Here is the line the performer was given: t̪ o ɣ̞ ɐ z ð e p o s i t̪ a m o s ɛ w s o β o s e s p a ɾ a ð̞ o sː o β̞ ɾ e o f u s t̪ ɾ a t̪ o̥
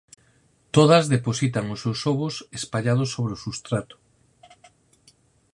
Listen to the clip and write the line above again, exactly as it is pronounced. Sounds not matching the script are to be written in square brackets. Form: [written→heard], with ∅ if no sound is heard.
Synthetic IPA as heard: t̪ o [ɣ̞→ð̞] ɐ z ð e p o s i t̪ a [m→ŋ] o s [ɛ→e] w s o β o s e s p a [ɾ→ʎ] a ð̞ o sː o β̞ ɾ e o [f→s] u s t̪ ɾ a t̪ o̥